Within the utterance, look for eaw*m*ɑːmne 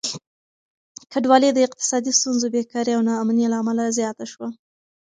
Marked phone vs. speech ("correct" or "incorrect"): incorrect